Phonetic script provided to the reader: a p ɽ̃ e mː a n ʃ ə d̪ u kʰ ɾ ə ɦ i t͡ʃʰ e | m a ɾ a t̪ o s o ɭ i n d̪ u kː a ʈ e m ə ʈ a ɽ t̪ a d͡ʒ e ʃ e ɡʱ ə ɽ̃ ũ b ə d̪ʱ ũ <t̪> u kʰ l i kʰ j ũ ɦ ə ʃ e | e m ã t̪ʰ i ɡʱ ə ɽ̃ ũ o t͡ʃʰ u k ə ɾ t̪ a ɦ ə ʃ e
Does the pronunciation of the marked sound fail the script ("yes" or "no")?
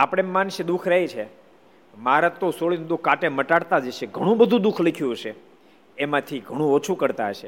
yes